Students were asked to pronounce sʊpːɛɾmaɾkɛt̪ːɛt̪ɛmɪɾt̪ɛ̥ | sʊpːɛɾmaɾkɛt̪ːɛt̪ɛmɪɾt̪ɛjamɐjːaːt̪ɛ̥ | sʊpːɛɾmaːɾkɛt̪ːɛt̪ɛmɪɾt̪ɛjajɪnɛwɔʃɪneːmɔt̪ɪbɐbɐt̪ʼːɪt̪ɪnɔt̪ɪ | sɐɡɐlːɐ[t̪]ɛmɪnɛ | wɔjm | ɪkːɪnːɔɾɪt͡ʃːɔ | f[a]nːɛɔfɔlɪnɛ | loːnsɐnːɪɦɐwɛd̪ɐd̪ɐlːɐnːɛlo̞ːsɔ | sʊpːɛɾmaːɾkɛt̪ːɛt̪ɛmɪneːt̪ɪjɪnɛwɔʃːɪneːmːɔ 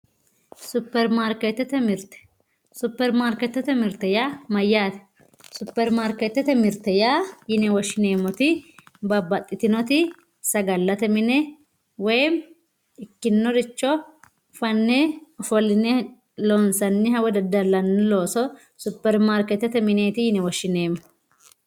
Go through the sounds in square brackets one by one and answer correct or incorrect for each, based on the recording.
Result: correct, incorrect: ɐ

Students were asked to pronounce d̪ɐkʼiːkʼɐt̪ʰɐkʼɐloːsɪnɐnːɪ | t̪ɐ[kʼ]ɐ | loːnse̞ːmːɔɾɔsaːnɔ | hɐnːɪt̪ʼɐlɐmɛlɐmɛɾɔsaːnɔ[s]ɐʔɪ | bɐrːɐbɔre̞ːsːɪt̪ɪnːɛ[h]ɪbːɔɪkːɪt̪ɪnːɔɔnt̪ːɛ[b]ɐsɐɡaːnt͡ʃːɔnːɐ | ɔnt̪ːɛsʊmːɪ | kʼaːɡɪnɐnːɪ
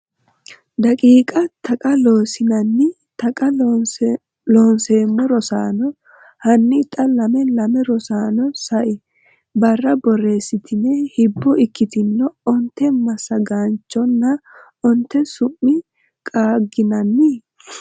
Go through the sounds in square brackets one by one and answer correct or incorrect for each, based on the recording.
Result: correct, correct, correct, incorrect: m

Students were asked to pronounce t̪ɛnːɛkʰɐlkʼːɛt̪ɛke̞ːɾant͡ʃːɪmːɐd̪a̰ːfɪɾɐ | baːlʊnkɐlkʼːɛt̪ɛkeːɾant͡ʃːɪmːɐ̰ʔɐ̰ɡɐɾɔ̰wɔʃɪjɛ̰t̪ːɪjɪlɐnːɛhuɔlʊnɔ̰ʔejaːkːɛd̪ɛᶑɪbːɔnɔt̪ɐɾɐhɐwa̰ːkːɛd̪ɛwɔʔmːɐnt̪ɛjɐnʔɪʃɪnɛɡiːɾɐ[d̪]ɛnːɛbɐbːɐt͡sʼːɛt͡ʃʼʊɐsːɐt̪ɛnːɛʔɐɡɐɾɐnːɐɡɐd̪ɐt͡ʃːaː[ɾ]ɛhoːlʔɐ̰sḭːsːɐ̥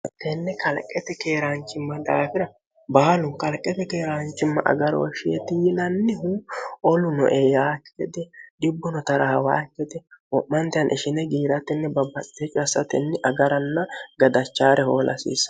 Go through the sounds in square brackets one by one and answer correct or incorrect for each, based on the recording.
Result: incorrect: t̪, correct

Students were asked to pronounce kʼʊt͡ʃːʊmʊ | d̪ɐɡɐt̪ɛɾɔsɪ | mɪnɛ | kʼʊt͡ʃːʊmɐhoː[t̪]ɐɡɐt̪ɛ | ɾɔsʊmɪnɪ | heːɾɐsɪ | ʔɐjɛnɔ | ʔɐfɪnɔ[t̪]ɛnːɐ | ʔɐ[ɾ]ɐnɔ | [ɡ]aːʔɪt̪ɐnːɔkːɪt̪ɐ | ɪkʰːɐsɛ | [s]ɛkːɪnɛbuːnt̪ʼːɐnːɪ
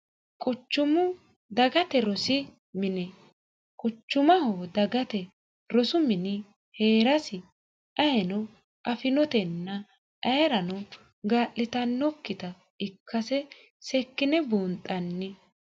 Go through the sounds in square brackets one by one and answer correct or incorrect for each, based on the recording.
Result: incorrect: d̪, correct, correct, correct, correct

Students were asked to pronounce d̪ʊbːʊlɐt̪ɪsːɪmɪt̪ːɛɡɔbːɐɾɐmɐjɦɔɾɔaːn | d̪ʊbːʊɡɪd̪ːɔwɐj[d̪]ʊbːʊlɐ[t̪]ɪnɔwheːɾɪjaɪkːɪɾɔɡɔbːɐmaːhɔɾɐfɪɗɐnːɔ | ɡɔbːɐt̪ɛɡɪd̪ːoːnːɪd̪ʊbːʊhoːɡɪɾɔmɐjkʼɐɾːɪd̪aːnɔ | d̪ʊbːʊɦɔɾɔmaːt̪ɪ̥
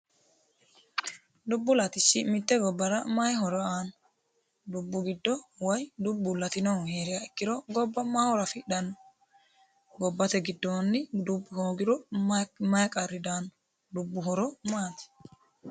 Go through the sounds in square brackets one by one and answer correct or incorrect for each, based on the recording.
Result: correct, correct

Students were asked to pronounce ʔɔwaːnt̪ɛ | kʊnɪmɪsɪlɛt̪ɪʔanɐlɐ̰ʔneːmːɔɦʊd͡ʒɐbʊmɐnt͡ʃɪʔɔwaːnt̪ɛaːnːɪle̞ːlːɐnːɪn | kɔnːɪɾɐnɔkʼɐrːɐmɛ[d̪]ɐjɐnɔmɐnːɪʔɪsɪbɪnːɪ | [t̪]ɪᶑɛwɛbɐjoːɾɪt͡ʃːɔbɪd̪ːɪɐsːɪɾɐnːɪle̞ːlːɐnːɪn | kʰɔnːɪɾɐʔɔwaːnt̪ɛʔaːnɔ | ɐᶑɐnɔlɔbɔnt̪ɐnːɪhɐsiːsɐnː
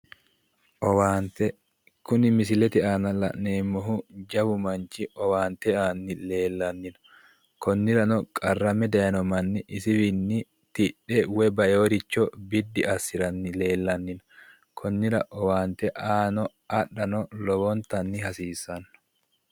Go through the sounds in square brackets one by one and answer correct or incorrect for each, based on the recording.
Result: correct, correct

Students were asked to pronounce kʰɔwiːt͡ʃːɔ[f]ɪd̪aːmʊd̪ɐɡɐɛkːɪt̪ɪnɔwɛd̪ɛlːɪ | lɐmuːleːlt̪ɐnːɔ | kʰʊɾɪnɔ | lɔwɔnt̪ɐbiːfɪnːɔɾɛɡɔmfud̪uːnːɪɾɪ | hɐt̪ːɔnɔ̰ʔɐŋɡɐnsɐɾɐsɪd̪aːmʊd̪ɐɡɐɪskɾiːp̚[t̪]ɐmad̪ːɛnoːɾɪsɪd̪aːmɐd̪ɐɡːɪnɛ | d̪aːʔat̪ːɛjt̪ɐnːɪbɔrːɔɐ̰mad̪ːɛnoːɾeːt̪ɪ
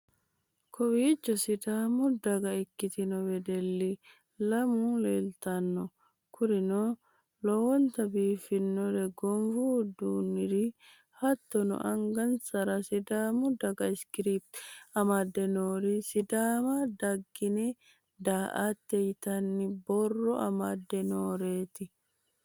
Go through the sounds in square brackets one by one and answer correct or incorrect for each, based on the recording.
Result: incorrect: s, correct

